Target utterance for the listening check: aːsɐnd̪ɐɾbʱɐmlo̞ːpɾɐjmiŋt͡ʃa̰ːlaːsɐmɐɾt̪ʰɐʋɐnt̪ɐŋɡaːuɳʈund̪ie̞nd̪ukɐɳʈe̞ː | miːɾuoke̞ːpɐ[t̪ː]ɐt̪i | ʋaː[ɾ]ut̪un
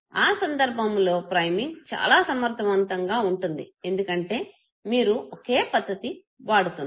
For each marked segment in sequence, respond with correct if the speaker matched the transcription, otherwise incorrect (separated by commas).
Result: incorrect, incorrect